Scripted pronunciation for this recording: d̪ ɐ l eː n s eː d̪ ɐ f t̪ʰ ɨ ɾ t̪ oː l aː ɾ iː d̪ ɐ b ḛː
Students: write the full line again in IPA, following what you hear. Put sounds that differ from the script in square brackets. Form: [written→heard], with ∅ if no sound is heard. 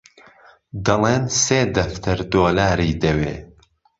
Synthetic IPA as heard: d̪ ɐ l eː n s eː d̪ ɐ f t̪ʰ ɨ ɾ [t̪→d̪] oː l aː ɾ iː d̪ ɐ [b→w] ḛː